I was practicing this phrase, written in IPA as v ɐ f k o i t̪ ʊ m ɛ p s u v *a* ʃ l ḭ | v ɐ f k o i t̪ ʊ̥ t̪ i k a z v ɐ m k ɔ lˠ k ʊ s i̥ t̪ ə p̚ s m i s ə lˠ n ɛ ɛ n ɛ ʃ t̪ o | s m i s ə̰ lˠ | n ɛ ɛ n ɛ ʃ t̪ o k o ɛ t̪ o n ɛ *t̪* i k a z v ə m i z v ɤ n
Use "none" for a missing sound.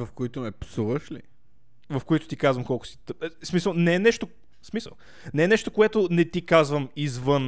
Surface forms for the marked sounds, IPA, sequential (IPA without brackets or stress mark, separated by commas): ə, t̪